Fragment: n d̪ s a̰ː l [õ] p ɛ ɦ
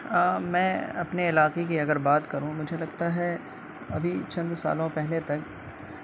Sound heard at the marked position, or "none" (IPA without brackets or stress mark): õ